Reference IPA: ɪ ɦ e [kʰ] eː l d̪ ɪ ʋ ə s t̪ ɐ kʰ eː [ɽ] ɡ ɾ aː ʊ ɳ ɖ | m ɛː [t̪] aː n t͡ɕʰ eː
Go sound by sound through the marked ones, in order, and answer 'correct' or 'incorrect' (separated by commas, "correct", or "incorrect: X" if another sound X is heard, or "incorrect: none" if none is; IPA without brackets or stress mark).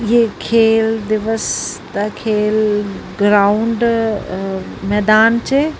correct, incorrect: l, incorrect: d̪